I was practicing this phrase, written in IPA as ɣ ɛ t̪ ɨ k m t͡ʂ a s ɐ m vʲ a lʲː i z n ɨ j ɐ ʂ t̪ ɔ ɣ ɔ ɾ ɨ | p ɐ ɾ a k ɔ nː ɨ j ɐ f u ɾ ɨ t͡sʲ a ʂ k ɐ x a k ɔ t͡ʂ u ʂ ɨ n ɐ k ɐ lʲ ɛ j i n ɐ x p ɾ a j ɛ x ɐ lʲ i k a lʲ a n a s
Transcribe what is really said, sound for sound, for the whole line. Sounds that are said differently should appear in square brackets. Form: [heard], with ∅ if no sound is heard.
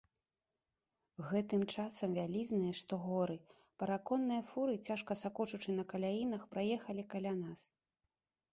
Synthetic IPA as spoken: ɣ ɛ t̪ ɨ [∅] m t͡ʂ a s ɐ m vʲ a [lʲ] i z n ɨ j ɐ ʂ t̪ ɔ ɣ ɔ ɾ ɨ | p ɐ ɾ a k ɔ nː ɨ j ɐ f u ɾ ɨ t͡sʲ a ʂ k ɐ [s] a k ɔ t͡ʂ u [t͡ʂ] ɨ n ɐ k ɐ lʲ [a] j i n ɐ x p ɾ a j ɛ x ɐ lʲ i k a lʲ a n a s